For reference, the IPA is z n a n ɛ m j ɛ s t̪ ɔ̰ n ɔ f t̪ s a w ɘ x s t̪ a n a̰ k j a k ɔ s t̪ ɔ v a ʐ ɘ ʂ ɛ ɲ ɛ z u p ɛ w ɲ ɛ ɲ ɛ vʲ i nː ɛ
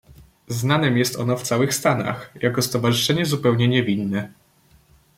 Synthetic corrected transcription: z n a n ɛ m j ɛ s t̪ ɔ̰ n ɔ f t̪ s a w ɘ x s t̪ a n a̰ x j a k ɔ s t̪ ɔ v a ʐ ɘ ʂ ɛ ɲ ɛ z u p ɛ w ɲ ɛ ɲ ɛ vʲ i nː ɛ